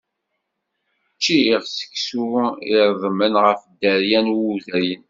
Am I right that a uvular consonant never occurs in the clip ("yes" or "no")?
no